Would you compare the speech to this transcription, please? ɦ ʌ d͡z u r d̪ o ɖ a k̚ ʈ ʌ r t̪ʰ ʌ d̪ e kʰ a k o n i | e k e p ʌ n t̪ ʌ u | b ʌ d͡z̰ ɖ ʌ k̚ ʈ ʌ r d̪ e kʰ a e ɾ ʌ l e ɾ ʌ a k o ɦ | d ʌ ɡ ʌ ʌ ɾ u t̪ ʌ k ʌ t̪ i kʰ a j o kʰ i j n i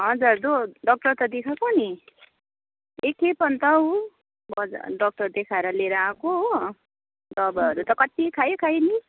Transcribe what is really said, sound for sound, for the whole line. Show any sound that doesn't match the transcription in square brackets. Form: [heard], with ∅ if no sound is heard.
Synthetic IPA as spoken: ɦ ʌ d͡z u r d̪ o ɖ [ʌ] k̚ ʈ ʌ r [t̪] ʌ d̪ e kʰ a k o n i | e k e p ʌ n t̪ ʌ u | b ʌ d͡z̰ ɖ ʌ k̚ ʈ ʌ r d̪ e kʰ a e ɾ ʌ l e ɾ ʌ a k o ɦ | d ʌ [b] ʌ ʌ ɾ u t̪ ʌ k ʌ t̪ i kʰ a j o kʰ [a] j n i